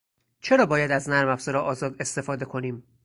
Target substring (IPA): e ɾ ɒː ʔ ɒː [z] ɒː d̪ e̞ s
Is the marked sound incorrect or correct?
correct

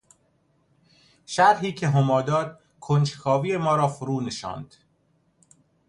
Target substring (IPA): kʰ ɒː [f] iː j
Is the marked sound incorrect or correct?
incorrect: v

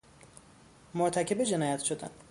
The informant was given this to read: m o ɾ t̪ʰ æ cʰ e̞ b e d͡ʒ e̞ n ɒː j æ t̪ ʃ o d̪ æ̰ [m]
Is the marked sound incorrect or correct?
incorrect: n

